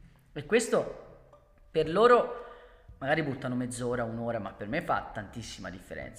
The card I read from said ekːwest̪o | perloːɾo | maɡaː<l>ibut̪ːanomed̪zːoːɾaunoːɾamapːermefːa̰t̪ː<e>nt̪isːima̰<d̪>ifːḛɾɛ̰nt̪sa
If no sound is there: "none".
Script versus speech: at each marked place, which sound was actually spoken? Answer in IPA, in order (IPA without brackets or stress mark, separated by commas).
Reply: ɾ, a, d̪